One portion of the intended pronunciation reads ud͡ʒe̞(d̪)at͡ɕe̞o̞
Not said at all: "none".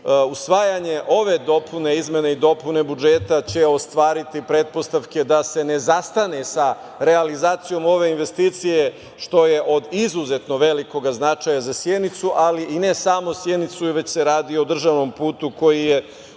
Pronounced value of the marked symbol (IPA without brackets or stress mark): t̪